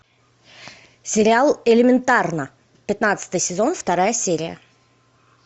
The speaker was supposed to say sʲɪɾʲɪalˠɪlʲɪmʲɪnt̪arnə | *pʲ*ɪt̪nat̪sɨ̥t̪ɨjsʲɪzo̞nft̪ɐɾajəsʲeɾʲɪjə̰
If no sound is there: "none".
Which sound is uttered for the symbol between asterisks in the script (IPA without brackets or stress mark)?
pʲ